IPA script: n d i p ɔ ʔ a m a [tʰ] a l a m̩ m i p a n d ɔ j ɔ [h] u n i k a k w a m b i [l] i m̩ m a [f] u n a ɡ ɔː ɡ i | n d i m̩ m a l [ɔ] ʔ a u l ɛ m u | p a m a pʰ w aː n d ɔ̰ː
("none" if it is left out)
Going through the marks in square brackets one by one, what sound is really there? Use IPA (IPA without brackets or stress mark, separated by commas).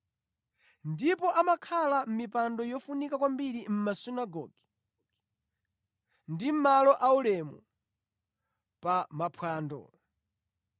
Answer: kʰ, f, ɾ, s, ɔ